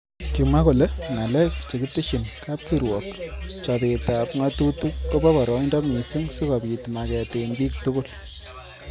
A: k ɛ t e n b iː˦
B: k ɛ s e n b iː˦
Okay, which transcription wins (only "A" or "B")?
A